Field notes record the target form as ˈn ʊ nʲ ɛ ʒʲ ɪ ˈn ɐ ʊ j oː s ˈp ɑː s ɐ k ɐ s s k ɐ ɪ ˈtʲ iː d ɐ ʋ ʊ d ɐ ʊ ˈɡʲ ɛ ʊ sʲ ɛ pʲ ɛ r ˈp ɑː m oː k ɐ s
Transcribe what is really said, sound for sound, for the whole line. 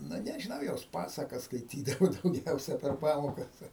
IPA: ˈn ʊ nʲ ɛ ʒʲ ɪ ˈn ɐ ʊ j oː s ˈp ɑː s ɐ k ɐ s s k ɐ ɪ ˈtʲ iː d ɐ ʋ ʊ d ɐ ʊ ˈɡʲ ɛ ʊ sʲ ɛ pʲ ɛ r ˈp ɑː m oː k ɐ s